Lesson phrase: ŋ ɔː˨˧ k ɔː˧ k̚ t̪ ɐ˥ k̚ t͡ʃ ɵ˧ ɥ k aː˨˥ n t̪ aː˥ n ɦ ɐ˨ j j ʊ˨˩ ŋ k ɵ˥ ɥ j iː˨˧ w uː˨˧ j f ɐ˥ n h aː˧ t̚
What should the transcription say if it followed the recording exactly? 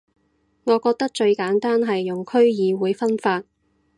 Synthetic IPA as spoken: ŋ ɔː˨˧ k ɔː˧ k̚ t̪ ɐ˥ k̚ t͡ʃ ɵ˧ ɥ k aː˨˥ n t̪ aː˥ n ɦ ɐ˨ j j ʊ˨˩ ŋ kʰ ɵ˥ ɥ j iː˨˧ w uː˨˧ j f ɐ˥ n f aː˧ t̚